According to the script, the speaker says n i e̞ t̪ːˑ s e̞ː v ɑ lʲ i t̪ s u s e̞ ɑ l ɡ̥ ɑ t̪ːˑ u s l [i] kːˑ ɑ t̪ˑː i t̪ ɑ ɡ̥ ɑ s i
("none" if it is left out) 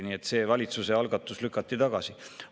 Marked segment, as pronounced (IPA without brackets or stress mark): y